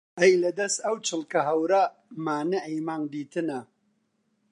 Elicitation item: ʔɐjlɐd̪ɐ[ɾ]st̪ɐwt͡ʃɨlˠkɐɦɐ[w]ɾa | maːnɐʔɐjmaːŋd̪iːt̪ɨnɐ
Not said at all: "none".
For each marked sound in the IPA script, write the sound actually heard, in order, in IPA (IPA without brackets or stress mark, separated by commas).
none, w